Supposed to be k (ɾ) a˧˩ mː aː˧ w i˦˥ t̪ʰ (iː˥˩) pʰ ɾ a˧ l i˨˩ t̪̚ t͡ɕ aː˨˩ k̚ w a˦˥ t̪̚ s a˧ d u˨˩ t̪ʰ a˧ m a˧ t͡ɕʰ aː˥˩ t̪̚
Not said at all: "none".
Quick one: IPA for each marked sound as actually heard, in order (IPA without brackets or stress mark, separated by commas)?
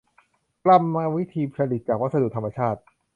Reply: l, iː˧